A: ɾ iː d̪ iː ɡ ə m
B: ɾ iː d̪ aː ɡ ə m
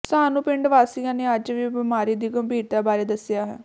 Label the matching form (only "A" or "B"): A